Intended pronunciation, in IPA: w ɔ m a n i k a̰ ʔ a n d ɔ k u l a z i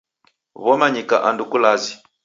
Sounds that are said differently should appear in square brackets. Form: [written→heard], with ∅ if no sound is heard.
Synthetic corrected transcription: [w→β] ɔ m a [n→ɲ] i k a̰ ʔ a n d [ɔ→u] k u l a z i